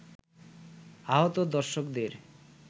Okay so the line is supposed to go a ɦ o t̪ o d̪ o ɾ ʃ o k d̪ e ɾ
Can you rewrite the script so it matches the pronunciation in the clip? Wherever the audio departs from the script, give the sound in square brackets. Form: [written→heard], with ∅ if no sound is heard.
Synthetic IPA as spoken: a ɦ o t̪ o d̪ [o→ɔ] ɾ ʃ o k d̪ e ɾ